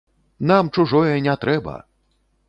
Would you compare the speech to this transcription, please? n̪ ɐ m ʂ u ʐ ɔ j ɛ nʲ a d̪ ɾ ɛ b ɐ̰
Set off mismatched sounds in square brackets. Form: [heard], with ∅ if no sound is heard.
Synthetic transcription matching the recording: n̪ [a] m [t͡ʂ] u ʐ ɔ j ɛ nʲ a [t̪] ɾ ɛ b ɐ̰